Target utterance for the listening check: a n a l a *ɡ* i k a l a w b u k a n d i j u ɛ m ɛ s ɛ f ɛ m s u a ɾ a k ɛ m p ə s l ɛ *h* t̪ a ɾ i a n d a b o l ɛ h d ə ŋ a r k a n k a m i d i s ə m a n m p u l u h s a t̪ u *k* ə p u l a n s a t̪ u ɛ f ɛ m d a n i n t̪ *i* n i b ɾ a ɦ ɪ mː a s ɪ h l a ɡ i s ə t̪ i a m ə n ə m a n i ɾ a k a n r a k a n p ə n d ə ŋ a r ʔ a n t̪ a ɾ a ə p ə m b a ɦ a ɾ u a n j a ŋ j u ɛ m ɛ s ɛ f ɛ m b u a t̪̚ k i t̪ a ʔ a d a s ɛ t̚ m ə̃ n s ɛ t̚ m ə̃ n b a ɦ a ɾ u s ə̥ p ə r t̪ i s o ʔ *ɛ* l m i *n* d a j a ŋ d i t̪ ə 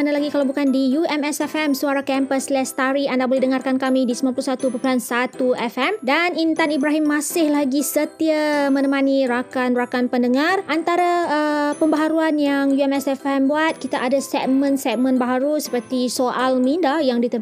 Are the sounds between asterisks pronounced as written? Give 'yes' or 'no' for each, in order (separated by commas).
yes, no, no, no, no, yes